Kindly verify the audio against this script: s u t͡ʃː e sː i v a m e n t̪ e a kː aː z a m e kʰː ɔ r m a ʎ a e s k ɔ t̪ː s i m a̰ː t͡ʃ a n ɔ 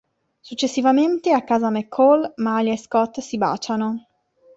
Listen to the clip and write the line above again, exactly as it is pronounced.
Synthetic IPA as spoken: s u t͡ʃː e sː i v a m e n t̪ e a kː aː z a m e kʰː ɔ l m a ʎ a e s k ɔ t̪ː s i b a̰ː t͡ʃ a n o